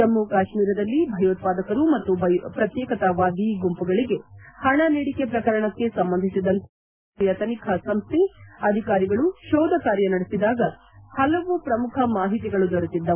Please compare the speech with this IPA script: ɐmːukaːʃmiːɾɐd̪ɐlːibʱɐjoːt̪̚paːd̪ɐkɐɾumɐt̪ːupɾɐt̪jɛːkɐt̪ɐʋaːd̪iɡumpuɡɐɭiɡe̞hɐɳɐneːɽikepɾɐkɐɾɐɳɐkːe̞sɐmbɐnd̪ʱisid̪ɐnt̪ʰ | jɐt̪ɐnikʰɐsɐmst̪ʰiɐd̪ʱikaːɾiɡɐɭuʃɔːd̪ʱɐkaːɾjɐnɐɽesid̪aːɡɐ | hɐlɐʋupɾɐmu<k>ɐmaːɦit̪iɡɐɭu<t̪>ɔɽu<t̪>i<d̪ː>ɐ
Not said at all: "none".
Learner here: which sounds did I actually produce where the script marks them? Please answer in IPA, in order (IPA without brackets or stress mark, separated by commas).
kʰ, d̪, t̪, d̪ː